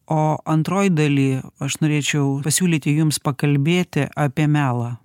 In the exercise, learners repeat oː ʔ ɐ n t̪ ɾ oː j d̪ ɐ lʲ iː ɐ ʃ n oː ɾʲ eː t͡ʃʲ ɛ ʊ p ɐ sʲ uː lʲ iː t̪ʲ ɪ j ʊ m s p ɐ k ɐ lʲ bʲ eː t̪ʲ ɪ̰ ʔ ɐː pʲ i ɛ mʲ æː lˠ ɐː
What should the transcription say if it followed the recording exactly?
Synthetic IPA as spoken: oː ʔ ɐ n t̪ ɾ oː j d̪ ɐ lʲ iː ɐ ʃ n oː ɾʲ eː t͡ʃʲ ɛ ʊ p ɐ sʲ uː lʲ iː t̪ʲ ɪ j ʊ m s p ɐ k ɐ lʲ bʲ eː t̪ʲ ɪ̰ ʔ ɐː pʲ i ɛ mʲ æː lˠ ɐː